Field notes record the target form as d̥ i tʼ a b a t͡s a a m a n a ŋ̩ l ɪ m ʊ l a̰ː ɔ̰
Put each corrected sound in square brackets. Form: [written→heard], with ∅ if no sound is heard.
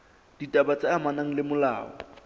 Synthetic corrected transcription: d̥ i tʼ a b a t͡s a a m a n a ŋ̩ l ɪ m ʊ l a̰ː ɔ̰

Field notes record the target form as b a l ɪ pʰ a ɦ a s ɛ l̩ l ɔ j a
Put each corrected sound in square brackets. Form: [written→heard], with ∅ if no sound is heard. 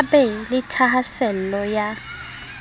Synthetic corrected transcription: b [a→ɛ] l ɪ [pʰ→tʰ] a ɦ a s ɛ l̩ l ɔ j a

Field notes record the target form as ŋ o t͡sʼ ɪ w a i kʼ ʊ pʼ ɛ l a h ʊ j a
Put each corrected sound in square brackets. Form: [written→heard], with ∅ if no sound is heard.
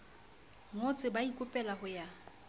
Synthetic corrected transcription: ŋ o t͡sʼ ɪ [w→b] a i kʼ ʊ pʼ ɛ l a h ʊ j a

